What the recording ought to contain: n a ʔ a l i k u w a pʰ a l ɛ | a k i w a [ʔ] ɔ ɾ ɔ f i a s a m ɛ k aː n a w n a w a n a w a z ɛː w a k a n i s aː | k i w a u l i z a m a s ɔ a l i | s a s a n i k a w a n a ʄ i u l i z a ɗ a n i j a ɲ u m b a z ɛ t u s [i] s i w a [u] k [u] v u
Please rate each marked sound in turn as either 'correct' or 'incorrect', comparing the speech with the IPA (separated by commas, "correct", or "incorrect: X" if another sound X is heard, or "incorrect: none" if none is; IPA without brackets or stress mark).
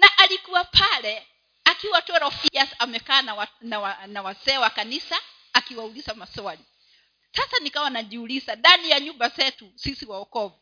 incorrect: t, correct, incorrect: ɔ, incorrect: ɔ